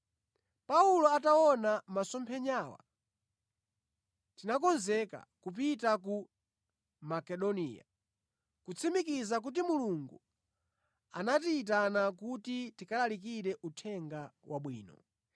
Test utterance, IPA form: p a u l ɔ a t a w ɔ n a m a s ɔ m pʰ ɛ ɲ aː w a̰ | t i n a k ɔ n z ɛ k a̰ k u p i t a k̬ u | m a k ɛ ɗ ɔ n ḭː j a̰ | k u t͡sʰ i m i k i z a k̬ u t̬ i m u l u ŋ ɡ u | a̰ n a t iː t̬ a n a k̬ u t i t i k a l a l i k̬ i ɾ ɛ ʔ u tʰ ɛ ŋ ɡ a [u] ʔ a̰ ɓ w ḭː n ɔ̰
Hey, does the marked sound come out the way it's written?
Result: no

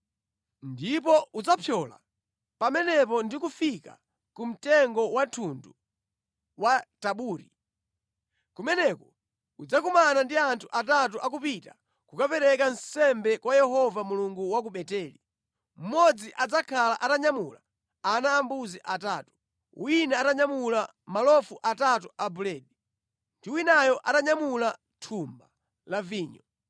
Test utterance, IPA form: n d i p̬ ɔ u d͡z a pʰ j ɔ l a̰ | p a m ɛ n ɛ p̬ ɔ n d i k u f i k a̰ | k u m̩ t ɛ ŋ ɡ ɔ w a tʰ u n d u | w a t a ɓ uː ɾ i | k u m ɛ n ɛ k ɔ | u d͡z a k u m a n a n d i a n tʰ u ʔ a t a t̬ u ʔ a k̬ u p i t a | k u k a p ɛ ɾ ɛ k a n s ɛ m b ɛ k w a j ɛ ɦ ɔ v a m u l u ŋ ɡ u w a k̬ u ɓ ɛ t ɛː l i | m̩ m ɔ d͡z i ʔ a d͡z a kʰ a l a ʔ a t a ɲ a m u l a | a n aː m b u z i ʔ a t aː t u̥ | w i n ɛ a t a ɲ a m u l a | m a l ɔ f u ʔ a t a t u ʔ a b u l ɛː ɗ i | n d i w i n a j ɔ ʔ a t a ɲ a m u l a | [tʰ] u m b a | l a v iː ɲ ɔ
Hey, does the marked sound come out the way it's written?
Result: yes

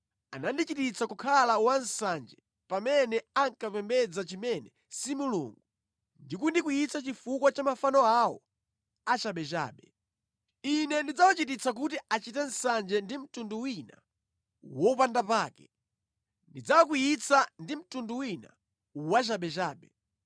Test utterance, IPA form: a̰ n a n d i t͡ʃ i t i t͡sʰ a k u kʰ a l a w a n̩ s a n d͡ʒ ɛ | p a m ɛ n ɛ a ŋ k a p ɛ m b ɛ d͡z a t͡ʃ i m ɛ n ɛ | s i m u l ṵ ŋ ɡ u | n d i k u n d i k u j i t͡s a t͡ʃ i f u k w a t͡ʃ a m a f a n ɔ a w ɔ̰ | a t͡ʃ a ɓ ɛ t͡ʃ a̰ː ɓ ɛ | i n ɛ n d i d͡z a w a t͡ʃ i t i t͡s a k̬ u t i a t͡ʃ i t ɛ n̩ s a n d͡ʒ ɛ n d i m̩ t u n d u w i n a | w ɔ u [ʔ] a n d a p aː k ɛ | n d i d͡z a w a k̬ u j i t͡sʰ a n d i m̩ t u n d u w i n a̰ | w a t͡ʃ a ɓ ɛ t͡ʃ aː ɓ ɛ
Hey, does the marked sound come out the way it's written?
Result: no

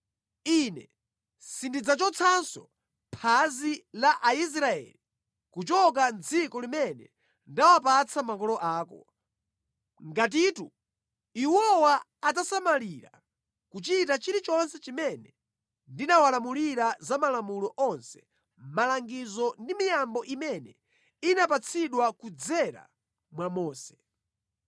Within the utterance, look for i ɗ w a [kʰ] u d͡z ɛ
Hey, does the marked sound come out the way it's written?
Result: no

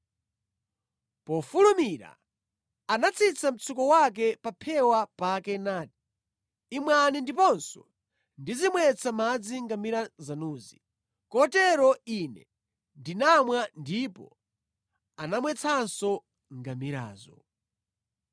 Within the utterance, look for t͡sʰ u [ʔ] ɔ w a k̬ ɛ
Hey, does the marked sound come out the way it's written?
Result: no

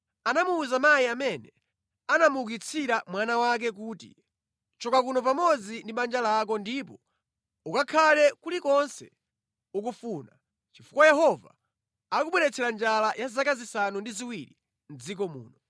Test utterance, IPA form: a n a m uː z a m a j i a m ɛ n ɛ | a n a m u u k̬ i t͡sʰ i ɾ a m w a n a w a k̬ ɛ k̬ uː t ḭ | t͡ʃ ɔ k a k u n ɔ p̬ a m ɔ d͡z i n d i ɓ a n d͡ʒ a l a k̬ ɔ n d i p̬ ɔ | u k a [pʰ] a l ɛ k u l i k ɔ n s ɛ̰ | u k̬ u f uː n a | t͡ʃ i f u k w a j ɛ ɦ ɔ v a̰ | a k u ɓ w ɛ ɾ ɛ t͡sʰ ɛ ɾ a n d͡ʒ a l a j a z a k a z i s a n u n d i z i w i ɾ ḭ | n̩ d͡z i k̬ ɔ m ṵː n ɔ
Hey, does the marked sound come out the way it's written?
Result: no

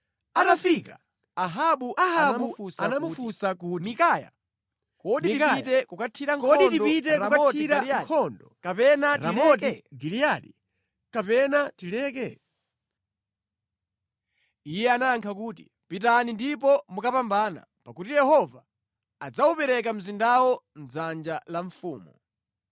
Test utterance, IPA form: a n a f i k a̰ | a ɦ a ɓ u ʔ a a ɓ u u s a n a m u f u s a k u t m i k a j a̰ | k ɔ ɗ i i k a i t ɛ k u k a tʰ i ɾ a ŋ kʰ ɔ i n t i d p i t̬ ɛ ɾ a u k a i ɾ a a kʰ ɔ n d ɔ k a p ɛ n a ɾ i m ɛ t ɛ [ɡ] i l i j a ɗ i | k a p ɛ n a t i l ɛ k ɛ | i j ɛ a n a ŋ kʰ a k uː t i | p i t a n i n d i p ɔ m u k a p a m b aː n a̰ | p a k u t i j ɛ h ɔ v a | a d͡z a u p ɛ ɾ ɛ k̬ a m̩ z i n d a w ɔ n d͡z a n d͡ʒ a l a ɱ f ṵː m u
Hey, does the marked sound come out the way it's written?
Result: yes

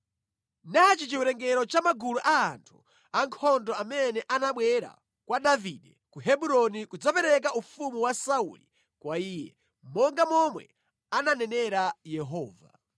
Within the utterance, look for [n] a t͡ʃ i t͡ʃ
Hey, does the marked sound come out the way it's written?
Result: yes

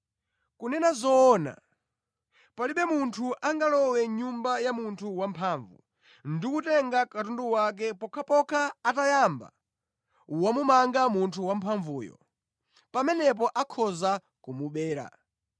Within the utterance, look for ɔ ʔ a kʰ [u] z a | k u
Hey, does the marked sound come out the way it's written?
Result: no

